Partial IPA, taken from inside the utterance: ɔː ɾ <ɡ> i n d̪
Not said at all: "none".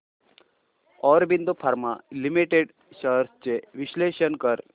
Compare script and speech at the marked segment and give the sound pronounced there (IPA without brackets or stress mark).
b